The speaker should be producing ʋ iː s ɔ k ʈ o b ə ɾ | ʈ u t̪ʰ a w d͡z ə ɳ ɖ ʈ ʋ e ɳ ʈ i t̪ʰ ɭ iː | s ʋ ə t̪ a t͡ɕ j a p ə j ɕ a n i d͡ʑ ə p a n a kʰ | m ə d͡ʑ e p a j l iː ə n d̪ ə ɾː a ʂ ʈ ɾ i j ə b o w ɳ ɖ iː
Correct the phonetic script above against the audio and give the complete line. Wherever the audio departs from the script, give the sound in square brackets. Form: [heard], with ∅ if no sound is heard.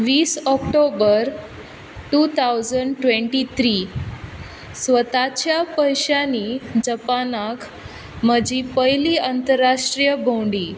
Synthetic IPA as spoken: ʋ iː s ɔ k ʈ o b ə ɾ | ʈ u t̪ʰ a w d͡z ə ɳ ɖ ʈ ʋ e ɳ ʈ i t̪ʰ [ɾ] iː | s ʋ ə t̪ a t͡ɕ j a p ə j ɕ a n i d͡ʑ ə p a n a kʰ | m ə d͡ʑ [i] p [ə] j l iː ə n [t̪] ə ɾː a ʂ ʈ ɾ i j ə b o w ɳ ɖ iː